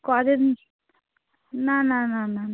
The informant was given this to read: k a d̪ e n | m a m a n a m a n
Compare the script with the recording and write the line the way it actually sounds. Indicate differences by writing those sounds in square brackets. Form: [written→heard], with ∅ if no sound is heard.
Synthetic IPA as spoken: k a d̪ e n | [m→n] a [m→n] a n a [m→n] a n